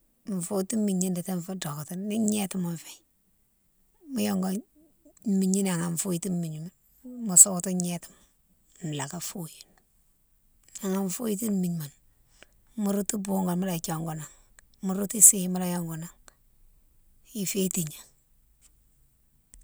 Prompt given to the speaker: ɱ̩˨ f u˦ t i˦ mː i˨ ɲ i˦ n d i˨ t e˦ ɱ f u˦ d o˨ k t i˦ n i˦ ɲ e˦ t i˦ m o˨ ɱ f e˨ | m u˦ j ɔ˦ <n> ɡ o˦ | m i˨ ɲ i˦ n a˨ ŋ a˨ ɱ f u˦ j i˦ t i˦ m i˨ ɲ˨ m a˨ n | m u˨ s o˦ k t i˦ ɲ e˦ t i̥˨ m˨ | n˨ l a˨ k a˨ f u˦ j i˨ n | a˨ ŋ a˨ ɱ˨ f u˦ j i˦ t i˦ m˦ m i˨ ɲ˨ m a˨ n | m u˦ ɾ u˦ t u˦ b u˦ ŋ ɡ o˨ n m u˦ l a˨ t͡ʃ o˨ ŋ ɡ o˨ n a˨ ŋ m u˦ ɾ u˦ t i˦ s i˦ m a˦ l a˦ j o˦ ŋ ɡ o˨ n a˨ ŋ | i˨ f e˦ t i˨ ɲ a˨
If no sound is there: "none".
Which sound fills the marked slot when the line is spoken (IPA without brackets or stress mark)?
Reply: ŋ